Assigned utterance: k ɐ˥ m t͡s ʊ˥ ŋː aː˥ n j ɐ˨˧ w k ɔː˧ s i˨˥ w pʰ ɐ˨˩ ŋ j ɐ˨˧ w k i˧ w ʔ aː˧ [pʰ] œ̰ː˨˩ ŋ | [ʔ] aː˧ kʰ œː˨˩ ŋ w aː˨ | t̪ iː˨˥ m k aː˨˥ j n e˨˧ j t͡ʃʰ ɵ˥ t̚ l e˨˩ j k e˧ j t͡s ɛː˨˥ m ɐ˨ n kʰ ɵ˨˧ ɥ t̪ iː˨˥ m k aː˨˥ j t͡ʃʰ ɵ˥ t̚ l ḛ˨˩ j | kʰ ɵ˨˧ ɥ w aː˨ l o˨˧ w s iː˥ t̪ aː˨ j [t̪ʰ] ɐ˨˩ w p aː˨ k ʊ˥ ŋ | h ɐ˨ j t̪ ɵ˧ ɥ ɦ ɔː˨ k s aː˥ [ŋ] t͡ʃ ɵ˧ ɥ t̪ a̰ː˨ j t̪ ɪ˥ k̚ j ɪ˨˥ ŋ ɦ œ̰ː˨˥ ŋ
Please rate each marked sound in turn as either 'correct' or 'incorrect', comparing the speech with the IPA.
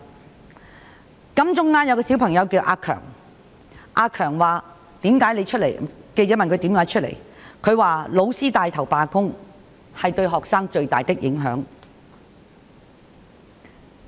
incorrect: kʰ, correct, correct, correct

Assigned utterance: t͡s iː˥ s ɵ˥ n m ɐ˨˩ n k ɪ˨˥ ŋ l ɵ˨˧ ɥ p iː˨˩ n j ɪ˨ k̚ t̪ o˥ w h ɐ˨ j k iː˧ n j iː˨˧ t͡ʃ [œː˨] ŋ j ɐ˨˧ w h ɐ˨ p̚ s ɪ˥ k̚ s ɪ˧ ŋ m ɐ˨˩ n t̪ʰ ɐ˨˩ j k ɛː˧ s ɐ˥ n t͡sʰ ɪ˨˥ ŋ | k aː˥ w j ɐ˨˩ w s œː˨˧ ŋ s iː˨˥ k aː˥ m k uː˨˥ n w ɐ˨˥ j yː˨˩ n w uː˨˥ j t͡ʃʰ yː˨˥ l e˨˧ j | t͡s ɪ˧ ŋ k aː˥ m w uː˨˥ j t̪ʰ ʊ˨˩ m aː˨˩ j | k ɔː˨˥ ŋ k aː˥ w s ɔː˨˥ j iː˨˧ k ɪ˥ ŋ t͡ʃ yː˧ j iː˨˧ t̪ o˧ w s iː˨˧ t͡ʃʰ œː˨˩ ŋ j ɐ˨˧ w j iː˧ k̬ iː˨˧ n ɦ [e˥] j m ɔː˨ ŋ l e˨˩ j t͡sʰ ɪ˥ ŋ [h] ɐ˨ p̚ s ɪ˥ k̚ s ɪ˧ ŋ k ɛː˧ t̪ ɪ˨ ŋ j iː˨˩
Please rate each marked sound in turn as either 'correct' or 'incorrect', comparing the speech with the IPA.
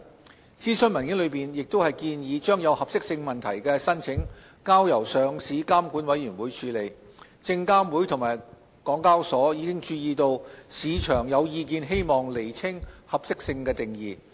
incorrect: œː˥, correct, correct

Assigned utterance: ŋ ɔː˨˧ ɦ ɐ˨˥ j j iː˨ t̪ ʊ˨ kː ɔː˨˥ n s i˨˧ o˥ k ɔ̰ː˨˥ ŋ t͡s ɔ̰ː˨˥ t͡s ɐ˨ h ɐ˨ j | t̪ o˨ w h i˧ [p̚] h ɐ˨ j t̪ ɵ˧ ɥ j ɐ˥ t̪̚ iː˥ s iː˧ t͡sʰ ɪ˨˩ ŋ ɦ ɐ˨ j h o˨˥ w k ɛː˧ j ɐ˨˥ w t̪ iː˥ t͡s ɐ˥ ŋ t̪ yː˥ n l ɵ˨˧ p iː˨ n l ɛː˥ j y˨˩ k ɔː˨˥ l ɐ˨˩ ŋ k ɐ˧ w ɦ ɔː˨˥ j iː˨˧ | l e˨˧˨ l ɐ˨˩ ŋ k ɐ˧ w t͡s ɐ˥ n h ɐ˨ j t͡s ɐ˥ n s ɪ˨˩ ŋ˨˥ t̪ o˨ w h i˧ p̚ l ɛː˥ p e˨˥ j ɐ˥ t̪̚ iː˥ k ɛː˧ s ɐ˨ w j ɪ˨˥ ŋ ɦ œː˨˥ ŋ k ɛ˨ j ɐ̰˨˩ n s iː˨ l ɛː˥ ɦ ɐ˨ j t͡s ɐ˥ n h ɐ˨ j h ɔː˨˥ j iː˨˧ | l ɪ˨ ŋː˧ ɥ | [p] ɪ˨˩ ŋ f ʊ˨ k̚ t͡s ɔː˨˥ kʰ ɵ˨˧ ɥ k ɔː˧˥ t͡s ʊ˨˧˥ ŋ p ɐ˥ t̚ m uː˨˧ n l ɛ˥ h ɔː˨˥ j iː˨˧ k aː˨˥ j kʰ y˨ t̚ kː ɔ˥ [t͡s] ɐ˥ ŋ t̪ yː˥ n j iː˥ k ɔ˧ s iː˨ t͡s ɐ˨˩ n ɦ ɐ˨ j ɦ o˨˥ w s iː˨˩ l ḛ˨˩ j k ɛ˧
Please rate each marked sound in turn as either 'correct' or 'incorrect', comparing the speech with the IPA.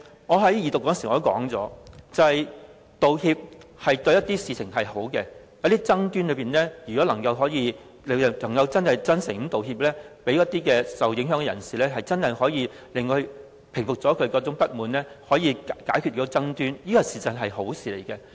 correct, incorrect: pʰ, correct

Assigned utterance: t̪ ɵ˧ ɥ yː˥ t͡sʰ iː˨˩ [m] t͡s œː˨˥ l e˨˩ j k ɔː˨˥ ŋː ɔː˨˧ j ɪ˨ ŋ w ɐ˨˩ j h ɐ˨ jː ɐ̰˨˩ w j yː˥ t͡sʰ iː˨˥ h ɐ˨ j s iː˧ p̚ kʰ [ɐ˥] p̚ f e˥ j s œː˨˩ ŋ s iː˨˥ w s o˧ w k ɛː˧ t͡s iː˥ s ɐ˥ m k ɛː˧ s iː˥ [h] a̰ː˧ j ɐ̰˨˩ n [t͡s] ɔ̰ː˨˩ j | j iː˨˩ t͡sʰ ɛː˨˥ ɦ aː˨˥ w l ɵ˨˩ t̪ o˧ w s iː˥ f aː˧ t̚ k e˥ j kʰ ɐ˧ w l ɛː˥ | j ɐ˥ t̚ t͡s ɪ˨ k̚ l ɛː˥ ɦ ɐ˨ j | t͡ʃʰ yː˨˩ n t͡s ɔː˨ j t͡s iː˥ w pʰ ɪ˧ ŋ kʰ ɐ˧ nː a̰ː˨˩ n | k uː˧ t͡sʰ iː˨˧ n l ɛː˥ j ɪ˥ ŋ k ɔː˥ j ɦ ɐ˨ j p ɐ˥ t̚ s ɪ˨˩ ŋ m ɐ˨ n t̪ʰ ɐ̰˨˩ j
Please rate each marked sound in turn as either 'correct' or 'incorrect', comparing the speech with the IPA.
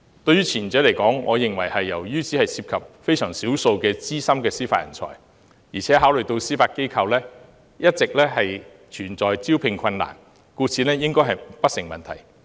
incorrect: n, incorrect: ɐ˨, incorrect: f, incorrect: t͡sʰ

